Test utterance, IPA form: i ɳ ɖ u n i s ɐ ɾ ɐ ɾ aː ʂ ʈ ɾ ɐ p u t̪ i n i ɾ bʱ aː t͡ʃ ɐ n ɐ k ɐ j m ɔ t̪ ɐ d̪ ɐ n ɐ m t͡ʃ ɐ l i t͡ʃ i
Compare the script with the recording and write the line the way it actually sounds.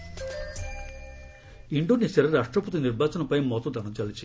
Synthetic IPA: i ɳ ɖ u n i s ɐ ɾ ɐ ɾ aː ʂ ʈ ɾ ɐ p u t̪ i n i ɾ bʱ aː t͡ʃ ɐ n ɐ p ɐ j m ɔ t̪ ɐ d̪ ɐ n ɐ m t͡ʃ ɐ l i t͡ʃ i